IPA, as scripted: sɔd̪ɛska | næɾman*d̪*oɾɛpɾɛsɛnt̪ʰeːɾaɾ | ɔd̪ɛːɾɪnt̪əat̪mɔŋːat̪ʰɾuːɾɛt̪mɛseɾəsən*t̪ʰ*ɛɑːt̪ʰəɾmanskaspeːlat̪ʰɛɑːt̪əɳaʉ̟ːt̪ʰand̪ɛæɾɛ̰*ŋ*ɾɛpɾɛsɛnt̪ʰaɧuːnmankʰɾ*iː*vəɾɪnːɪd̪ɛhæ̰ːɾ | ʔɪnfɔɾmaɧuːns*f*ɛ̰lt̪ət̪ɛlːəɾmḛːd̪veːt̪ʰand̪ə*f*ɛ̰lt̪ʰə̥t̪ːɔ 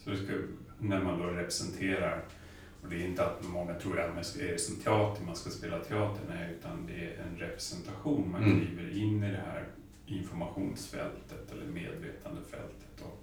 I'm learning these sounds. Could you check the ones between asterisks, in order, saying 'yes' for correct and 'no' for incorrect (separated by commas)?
yes, yes, no, yes, yes, yes